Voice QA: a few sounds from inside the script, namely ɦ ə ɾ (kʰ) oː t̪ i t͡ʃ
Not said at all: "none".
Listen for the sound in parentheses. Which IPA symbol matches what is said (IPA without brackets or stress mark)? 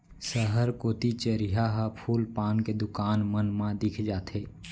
k